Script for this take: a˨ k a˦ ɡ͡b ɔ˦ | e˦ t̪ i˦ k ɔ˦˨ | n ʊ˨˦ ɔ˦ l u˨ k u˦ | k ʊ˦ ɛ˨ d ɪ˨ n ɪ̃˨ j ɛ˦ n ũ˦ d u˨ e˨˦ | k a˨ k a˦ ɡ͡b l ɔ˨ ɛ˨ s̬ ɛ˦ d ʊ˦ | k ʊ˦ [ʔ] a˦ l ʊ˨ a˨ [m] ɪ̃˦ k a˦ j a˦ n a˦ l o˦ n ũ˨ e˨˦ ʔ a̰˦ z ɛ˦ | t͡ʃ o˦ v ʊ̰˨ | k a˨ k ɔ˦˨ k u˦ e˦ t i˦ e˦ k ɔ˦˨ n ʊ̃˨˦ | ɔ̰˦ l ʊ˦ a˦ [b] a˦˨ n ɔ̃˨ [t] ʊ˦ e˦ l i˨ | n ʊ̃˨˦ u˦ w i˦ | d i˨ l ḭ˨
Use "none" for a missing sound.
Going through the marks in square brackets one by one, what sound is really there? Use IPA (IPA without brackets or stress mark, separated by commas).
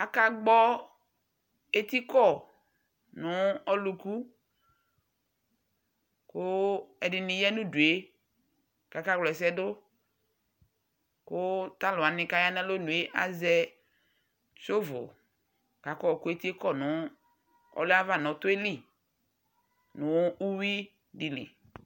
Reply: t, n, v, t